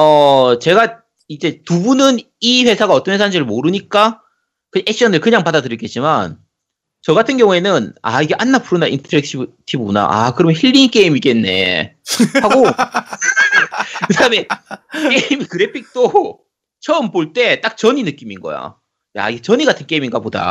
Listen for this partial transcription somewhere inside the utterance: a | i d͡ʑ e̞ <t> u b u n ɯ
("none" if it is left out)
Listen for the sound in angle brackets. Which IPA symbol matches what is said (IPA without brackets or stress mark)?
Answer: t